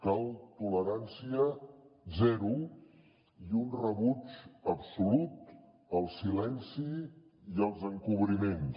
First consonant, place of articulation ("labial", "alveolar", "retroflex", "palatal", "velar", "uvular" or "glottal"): velar